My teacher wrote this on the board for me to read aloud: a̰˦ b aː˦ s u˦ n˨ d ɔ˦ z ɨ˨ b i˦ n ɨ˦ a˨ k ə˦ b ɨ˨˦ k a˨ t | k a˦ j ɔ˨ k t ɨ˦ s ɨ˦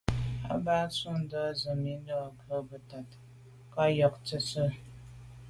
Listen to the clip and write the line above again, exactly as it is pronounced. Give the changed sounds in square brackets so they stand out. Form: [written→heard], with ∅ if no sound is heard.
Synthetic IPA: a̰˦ b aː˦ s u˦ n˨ d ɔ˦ z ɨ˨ [b→m] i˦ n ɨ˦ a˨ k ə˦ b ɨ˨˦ [k→t] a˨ t | k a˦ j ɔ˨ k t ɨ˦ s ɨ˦